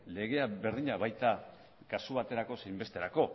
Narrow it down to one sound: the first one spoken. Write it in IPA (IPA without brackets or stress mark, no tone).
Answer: l